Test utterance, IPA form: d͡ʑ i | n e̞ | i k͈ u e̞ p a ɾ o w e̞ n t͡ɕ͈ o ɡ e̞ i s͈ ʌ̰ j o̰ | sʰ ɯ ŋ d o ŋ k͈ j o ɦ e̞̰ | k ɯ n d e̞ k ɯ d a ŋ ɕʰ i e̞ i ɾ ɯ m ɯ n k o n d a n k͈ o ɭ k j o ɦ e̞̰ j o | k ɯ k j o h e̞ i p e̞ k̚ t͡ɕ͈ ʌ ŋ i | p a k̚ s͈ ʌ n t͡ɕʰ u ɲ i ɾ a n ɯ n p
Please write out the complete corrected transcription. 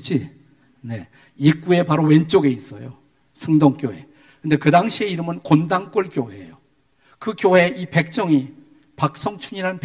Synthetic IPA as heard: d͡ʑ i | n e̞ | i k͈ u e̞ p a ɾ o w e̞ n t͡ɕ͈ o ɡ e̞ i s͈ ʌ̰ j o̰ | sʰ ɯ ŋ d o ŋ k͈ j o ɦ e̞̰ | k ɯ n d e̞ k ɯ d a ŋ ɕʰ i e̞ i ɾ ɯ m ɯ n k o n d a ŋ k͈ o ɭ k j o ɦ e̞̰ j o | k ɯ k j o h e̞ i p e̞ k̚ t͡ɕ͈ ʌ ŋ i | p a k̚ s͈ ʌ ŋ t͡ɕʰ u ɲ i ɾ a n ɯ n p